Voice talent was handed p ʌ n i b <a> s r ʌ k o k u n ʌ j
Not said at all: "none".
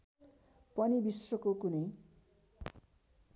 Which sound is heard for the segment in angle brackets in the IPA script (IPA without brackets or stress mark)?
i